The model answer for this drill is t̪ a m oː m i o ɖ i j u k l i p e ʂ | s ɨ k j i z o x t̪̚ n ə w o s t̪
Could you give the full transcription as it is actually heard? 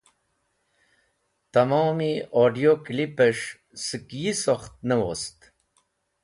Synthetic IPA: t̪ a m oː m i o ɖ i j o k l i p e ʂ | s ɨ k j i s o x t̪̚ n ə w o s t̪